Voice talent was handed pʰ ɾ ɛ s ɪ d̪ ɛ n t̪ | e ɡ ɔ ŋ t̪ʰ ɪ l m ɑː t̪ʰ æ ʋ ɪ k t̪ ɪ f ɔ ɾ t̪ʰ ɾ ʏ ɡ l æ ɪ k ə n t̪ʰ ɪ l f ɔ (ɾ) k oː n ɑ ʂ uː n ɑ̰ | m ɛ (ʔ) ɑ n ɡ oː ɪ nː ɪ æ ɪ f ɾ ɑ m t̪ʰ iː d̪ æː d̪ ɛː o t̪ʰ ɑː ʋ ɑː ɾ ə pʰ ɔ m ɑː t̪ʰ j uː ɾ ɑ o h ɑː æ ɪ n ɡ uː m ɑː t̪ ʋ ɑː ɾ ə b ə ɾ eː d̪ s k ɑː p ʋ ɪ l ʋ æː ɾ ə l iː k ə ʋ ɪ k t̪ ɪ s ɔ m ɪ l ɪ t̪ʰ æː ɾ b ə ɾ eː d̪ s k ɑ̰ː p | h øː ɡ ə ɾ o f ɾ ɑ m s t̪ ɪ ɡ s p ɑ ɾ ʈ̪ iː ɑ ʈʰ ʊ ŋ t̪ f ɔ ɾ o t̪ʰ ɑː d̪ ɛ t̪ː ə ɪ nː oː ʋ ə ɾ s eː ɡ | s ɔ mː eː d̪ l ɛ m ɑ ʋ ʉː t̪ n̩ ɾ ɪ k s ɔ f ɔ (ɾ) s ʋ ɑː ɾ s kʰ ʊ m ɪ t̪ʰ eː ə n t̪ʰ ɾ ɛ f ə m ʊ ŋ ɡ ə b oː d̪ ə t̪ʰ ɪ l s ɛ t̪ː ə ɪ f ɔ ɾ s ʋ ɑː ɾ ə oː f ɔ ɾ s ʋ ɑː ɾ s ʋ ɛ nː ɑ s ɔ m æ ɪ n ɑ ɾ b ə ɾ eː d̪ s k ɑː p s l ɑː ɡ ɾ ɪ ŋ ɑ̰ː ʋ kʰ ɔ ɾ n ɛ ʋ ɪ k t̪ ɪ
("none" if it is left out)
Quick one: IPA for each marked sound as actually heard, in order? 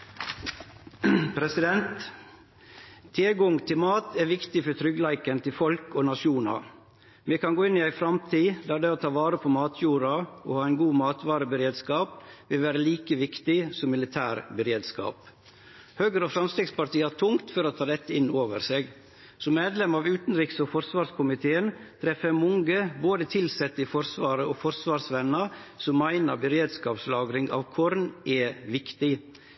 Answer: l, k, ɾ

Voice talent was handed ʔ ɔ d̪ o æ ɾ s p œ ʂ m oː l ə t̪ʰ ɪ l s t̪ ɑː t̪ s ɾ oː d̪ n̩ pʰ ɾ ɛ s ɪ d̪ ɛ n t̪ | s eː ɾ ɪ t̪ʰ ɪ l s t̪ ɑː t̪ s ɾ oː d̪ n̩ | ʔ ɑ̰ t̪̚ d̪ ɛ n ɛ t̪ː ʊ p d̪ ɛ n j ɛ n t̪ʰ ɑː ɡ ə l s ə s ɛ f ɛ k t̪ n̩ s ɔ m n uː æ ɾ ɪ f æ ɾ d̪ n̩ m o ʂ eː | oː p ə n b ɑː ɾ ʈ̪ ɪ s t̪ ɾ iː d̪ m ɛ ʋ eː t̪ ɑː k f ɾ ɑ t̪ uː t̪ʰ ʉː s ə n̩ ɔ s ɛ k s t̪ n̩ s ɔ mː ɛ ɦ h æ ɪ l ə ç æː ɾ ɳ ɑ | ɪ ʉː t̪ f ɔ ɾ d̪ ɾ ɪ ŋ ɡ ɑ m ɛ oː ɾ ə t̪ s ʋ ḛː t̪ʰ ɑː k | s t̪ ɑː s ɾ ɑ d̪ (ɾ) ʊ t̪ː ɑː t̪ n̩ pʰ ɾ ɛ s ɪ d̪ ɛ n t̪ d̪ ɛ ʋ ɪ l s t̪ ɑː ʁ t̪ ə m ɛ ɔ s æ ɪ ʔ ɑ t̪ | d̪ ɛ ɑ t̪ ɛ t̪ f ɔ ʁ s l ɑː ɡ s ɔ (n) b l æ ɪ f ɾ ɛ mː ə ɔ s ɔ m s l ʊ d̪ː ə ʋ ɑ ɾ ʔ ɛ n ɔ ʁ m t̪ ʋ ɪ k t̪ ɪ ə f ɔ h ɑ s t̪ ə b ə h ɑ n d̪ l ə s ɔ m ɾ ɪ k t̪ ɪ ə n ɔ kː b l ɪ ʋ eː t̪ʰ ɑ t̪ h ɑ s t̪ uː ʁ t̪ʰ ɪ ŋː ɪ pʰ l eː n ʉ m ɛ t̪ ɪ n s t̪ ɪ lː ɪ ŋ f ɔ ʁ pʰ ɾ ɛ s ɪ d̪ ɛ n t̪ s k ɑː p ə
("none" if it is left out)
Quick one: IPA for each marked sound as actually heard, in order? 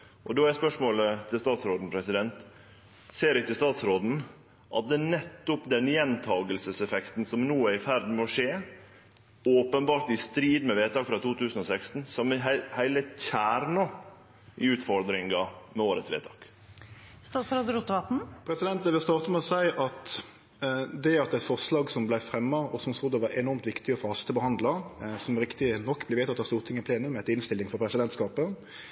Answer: ɾ, m

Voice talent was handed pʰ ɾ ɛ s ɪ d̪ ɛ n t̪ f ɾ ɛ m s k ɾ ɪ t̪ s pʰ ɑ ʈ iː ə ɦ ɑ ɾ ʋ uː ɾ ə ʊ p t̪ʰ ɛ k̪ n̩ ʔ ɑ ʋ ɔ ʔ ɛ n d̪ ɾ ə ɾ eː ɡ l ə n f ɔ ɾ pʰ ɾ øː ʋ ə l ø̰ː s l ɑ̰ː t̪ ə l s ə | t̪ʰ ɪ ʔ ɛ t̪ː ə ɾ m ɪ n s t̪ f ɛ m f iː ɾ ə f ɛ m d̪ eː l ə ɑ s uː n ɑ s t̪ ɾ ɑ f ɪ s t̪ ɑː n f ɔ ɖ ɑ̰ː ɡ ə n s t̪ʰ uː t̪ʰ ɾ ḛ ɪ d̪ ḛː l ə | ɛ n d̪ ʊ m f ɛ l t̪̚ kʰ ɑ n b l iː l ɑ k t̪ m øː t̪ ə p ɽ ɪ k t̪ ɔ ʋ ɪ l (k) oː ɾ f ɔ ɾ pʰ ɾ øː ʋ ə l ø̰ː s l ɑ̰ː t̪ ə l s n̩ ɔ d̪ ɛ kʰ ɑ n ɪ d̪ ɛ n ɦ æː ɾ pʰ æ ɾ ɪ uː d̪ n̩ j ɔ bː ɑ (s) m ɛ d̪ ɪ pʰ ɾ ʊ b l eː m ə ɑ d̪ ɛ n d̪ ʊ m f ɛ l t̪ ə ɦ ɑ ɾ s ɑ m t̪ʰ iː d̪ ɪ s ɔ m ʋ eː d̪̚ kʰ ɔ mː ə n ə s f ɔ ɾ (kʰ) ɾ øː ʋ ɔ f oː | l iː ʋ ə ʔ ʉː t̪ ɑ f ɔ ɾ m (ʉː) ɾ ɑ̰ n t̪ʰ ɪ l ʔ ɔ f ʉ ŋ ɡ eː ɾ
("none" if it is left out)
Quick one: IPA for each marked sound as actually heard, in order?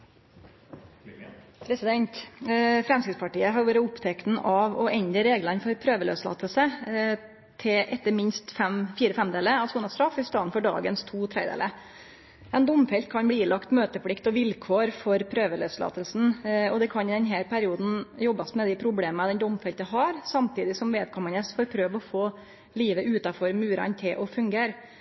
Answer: kʰ, s, pʰ, ʉː

